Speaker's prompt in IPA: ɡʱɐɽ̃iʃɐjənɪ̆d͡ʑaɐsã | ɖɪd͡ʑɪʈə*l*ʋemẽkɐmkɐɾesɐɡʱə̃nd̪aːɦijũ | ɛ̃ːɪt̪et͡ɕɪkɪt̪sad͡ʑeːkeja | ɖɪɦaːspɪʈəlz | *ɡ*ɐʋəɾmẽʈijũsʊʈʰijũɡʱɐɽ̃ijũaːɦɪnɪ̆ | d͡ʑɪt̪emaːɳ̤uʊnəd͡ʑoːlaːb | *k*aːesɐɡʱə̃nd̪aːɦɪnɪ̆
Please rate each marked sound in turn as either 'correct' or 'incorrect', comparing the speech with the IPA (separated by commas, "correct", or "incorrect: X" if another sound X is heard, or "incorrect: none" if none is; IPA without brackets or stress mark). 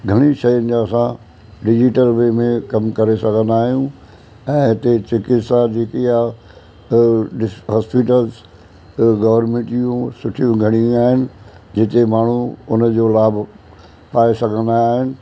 correct, correct, incorrect: p